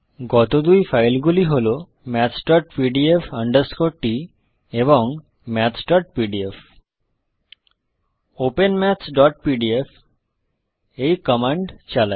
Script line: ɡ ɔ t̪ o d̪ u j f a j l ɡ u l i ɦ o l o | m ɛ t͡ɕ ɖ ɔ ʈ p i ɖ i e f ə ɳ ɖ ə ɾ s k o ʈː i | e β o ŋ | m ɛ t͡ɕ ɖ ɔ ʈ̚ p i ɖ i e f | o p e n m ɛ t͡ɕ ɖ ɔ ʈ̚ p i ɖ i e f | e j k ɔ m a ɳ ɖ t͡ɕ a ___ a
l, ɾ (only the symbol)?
l